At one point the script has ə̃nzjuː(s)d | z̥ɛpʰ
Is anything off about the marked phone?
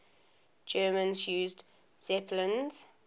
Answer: yes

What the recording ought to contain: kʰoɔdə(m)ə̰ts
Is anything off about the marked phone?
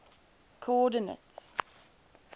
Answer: yes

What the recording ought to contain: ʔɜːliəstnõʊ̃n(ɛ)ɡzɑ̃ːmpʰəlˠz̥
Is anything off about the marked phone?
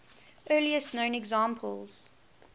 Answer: no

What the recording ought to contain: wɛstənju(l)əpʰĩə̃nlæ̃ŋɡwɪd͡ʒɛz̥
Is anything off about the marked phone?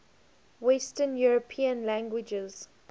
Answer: yes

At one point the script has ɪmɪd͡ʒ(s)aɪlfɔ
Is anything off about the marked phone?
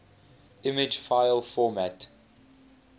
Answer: yes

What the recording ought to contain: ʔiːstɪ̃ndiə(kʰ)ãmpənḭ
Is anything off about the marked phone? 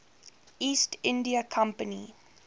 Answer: no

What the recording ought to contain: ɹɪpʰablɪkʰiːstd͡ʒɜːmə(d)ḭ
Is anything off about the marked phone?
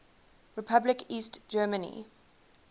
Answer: yes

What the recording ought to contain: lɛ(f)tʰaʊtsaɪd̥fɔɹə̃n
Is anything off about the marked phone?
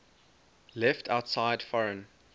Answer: no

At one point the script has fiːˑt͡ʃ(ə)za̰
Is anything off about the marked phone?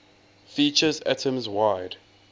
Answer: no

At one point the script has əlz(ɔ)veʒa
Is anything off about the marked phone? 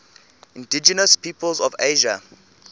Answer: no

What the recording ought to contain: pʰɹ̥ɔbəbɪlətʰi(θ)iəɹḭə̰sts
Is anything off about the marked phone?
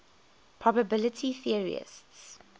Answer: no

